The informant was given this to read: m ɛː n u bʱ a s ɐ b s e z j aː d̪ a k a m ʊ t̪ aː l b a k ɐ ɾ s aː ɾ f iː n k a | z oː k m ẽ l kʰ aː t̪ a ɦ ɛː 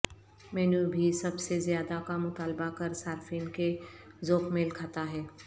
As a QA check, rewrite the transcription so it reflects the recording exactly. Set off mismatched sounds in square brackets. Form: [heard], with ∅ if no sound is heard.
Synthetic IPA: m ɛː n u bʱ [i] s ɐ b s e z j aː d̪ a k a m ʊ t̪ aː l b a k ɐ ɾ s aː ɾ f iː n k [e] | z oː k m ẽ l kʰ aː t̪ a ɦ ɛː